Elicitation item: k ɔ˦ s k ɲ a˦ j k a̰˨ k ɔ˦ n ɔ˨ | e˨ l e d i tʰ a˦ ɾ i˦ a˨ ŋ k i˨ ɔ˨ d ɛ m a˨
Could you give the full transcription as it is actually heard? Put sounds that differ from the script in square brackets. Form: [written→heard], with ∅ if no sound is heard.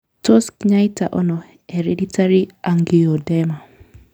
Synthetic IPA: [k→t] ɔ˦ s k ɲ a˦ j [k→t] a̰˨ [k→ʔ] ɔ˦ n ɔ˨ | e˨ [l→ɾ] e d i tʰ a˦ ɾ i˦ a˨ ŋ [k→ɡ] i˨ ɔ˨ d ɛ m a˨